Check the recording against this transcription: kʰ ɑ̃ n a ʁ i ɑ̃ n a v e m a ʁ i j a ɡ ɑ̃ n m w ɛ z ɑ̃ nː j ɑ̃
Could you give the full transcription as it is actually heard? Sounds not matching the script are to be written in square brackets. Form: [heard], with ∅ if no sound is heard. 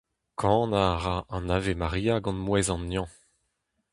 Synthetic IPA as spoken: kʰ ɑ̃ n a ʁ [a] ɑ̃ n a v e m a ʁ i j a ɡ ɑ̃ n m w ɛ z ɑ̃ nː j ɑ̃